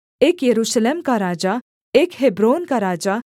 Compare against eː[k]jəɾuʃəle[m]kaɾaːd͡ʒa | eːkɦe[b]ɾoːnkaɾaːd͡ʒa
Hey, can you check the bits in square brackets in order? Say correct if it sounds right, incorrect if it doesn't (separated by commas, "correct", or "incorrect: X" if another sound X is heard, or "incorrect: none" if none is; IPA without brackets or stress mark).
correct, correct, correct